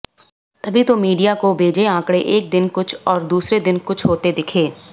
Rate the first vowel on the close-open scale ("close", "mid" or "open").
open